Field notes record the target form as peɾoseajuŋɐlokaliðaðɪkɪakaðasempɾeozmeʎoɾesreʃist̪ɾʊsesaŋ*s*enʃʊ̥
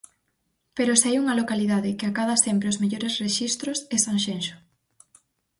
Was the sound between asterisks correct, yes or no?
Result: no